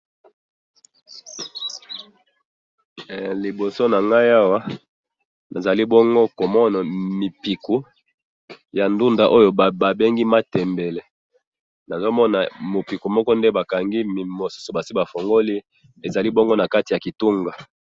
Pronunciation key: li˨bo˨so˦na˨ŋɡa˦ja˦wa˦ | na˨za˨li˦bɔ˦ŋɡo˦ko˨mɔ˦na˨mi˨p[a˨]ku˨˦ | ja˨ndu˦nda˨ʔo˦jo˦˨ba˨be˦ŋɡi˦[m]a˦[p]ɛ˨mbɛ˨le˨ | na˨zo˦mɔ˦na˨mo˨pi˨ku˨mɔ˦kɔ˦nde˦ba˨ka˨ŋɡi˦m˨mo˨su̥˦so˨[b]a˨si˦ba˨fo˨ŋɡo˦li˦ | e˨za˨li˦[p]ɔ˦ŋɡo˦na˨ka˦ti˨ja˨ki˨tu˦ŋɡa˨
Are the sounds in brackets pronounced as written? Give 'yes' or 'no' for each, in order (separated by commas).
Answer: no, yes, no, yes, no